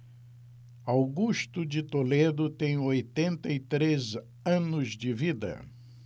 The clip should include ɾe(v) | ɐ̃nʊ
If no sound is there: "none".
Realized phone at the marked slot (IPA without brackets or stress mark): z